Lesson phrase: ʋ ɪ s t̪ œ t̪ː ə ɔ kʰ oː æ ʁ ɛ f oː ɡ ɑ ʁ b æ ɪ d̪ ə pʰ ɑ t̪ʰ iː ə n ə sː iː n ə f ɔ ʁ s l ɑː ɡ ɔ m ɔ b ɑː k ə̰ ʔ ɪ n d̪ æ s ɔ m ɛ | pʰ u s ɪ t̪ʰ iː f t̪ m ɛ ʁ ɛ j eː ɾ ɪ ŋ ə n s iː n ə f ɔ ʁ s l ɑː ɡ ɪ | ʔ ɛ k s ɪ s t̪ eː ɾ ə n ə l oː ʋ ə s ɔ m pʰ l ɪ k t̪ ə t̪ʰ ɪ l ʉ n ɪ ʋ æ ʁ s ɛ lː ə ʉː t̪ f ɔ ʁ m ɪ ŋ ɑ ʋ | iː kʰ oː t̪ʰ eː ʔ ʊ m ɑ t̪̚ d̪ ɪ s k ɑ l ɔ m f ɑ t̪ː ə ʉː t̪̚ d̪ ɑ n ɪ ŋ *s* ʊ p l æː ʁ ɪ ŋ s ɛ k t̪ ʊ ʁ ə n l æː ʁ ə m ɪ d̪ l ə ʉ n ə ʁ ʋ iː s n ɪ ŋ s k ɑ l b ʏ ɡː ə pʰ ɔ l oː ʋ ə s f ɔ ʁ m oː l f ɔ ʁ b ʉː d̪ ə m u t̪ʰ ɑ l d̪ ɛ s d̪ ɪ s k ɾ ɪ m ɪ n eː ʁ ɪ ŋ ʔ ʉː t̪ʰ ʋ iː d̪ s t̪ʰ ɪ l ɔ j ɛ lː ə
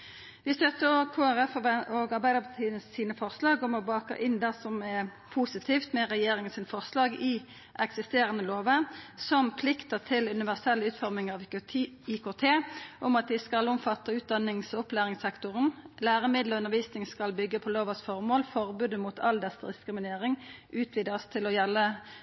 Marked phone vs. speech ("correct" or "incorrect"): correct